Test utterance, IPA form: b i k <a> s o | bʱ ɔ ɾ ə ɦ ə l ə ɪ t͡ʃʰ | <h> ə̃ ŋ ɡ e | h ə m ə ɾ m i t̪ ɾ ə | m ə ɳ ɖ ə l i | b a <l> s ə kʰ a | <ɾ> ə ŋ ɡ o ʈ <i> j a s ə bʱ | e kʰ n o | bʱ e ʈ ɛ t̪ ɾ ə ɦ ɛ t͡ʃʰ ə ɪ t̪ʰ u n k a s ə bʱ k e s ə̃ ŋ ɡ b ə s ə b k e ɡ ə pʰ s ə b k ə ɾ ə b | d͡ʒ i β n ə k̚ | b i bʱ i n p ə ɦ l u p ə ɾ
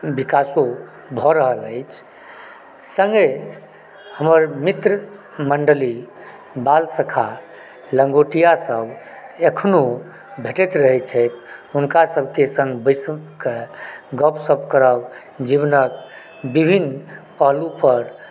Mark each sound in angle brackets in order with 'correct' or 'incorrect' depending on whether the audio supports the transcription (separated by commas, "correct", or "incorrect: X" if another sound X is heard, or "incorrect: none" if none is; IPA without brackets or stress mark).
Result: correct, incorrect: s, correct, incorrect: l, correct